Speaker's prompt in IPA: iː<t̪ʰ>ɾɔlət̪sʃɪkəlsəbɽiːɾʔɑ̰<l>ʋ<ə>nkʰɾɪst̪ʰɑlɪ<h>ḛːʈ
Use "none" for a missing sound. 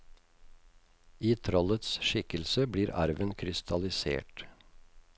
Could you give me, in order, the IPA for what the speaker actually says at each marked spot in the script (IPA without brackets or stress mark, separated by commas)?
t̪ʰ, ɾ, ə, s